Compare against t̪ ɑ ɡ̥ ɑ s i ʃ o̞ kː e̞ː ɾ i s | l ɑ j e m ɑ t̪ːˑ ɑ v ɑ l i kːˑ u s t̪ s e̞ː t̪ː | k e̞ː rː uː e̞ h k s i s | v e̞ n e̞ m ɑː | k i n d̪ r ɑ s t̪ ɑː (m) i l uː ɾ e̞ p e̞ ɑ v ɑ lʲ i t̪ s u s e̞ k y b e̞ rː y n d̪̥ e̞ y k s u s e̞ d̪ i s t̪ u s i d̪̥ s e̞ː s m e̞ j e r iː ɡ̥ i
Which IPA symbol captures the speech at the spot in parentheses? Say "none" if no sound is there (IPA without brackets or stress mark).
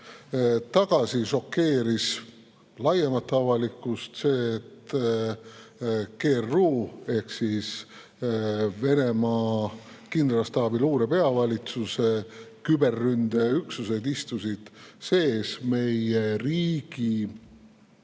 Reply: b